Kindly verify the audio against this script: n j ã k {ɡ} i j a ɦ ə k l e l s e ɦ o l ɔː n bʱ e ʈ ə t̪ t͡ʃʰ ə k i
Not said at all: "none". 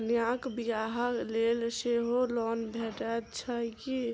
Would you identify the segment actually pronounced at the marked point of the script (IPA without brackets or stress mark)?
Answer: b